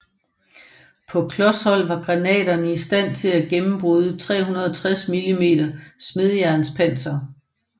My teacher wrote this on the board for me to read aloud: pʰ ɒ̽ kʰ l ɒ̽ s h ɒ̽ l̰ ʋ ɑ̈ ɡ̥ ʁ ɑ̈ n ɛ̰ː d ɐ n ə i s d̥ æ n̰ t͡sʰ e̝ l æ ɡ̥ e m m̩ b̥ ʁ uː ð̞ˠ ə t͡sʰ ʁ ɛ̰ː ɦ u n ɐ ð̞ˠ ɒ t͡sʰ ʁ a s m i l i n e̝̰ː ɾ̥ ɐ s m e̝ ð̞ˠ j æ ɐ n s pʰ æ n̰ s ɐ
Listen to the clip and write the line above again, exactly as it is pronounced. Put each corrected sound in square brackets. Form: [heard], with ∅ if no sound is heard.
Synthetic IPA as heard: pʰ ɒ̽ kʰ l ɒ̽ s h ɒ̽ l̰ ʋ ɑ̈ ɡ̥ ʁ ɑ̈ n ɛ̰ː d ɐ n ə i s d̥ æ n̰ t͡sʰ e̝ l æ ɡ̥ e m m̩ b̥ ʁ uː ð̞ˠ ə t͡sʰ ʁ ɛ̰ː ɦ u n ɐ ð̞ˠ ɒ t͡sʰ ʁ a s m i l i [m] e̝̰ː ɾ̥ ɐ s m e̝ ð̞ˠ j æ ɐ n s pʰ æ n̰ s ɐ